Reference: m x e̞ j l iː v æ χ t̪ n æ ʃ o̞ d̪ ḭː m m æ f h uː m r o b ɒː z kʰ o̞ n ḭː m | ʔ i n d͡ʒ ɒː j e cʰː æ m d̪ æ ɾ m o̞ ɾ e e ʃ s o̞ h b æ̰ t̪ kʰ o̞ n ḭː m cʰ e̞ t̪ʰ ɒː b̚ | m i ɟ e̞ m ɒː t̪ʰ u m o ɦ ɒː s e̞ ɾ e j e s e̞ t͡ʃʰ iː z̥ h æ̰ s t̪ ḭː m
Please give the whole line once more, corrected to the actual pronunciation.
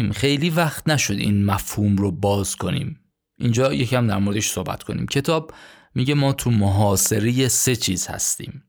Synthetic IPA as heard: m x e̞ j l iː v æ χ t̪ n æ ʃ o̞ d̪ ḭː n m æ f h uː m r o b ɒː z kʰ o̞ n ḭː m | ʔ i n d͡ʒ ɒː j e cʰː æ m d̪ æ ɾ m o̞ ɾ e e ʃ s o̞ h b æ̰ t̪ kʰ o̞ n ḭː m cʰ e̞ t̪ʰ ɒː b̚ | m i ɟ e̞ m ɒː t̪ʰ u m o ɦ ɒː s e̞ ɾ e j e s e̞ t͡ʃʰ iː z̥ h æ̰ s t̪ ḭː m